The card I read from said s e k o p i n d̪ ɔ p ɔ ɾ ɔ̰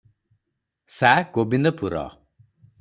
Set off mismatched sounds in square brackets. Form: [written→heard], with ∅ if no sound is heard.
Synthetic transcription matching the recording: s [e→a] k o [p→b] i n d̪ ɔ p [ɔ→u] ɾ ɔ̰